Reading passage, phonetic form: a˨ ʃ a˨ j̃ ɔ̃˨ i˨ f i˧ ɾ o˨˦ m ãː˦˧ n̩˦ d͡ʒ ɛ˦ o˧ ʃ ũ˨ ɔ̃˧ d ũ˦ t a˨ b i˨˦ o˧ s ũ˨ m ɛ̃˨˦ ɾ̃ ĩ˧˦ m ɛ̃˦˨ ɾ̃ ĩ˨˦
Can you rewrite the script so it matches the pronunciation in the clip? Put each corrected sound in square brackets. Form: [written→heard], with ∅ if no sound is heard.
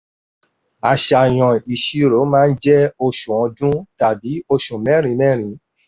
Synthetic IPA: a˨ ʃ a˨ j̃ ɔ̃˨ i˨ [f→ʃ] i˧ ɾ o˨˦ m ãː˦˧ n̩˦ d͡ʒ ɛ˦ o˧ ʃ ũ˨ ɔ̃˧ d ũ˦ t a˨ b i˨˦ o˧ [s→ʃ] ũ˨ m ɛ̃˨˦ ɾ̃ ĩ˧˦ m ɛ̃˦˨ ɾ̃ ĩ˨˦